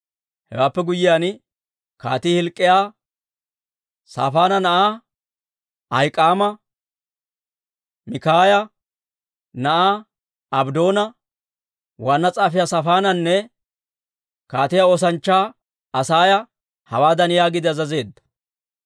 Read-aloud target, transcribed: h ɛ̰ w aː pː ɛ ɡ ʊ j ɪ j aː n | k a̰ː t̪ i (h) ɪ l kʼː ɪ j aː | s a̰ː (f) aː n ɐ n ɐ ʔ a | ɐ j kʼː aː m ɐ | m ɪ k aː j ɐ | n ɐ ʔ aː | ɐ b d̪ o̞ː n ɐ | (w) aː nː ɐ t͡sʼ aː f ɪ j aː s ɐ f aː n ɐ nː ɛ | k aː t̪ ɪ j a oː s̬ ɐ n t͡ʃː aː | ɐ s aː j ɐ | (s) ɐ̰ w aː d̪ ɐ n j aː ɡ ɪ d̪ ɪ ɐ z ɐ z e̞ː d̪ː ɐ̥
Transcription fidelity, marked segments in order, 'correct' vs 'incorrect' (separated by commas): correct, correct, correct, incorrect